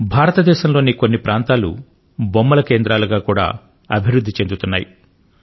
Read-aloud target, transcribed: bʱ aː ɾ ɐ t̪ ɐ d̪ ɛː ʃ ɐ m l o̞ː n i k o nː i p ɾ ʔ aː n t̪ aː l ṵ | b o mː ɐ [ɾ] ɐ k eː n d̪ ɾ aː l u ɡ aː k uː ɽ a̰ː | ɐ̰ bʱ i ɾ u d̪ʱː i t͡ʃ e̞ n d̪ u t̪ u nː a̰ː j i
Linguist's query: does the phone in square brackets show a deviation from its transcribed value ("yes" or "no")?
yes